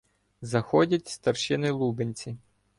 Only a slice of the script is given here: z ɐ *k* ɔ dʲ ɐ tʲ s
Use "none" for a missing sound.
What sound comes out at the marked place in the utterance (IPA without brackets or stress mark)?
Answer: x